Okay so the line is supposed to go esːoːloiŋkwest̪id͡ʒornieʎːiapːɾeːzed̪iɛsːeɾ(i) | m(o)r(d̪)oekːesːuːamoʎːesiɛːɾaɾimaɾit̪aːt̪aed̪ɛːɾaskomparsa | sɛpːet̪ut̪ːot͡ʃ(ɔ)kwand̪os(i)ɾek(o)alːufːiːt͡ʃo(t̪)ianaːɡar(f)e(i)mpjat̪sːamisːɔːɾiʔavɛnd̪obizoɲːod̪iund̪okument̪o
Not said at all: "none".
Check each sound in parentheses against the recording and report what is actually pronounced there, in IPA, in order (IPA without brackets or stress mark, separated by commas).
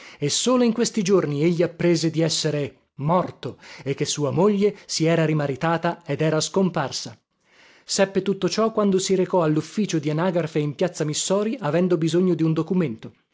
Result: e, ɔ, t̪, ɔ, i, ɔ, d̪, f, i